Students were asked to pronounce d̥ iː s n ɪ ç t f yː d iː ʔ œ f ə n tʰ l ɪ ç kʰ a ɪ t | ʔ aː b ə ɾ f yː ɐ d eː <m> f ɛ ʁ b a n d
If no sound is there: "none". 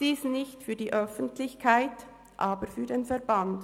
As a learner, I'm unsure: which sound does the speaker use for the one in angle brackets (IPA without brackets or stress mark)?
n